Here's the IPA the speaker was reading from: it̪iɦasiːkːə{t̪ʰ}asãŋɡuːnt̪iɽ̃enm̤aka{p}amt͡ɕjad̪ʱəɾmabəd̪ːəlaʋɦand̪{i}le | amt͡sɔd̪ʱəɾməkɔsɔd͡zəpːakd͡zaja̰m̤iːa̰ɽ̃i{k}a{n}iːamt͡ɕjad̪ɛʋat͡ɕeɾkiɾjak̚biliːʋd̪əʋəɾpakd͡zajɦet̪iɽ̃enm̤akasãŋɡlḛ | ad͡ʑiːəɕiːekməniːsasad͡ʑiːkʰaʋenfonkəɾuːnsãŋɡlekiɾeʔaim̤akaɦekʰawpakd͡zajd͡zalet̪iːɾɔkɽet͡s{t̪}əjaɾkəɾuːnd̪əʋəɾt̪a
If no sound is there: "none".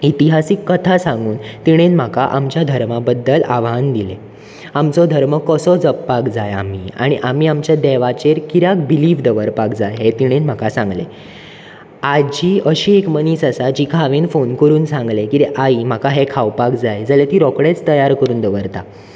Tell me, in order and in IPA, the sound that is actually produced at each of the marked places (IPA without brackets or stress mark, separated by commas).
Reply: t̪ʰ, ʔ, i, ʔ, m, t̪